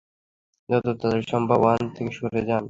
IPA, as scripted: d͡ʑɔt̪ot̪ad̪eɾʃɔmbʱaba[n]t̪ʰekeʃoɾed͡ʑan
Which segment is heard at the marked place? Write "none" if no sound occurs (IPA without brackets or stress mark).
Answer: n